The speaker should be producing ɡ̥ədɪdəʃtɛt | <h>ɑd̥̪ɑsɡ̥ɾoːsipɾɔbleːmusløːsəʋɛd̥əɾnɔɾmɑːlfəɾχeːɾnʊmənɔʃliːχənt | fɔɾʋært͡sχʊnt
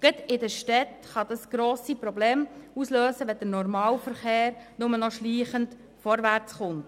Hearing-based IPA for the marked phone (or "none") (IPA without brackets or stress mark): χ